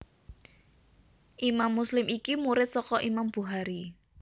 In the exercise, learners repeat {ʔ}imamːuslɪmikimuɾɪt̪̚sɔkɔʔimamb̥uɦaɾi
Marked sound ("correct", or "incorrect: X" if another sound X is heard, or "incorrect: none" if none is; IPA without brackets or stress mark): correct